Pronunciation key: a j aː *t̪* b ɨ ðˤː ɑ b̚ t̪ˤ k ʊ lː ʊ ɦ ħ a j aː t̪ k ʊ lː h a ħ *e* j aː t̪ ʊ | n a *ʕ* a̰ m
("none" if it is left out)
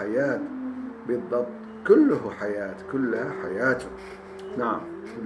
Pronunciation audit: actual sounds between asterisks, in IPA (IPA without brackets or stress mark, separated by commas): t̪, a, ʕ